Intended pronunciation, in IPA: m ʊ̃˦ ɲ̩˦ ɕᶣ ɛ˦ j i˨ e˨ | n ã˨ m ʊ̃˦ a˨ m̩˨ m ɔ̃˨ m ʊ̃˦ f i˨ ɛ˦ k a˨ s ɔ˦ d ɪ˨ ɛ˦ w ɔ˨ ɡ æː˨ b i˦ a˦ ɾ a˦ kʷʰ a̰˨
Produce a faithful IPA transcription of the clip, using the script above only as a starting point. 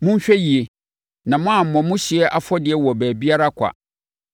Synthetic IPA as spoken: m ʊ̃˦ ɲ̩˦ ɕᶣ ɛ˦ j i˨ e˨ | n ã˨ m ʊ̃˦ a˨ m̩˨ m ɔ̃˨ m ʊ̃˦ ɕ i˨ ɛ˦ ʔ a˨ f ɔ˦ d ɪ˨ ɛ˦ w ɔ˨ b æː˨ b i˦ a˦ ɾ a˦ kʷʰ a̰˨